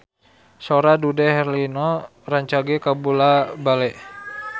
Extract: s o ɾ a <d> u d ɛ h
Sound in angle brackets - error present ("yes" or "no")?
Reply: no